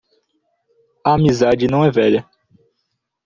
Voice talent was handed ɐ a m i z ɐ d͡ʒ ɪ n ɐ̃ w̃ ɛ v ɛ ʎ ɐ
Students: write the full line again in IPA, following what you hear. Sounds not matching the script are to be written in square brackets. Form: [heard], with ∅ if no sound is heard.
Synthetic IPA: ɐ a m i z [a] d͡ʒ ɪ n ɐ̃ w̃ ɛ v ɛ ʎ ɐ